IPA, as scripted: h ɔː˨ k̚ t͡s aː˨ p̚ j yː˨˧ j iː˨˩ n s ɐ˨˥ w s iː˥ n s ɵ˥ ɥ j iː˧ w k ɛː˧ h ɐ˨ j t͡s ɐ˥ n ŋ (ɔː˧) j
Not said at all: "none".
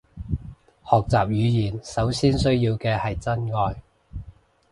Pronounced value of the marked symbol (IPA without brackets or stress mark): ɔː˧